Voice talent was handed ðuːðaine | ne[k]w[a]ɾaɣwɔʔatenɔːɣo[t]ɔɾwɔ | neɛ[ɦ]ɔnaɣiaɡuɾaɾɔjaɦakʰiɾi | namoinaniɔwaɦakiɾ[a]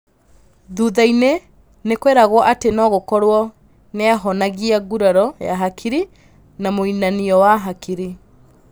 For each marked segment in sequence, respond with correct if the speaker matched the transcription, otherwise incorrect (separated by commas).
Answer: correct, incorrect, incorrect, correct, incorrect